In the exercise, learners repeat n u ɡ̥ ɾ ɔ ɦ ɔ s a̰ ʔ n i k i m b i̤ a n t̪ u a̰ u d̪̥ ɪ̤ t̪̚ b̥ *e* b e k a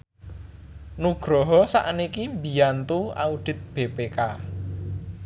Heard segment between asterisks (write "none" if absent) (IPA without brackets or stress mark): e